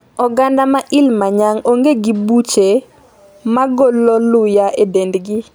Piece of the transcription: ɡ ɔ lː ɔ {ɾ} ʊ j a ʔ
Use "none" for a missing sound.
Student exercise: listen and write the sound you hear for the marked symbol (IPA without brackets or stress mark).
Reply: l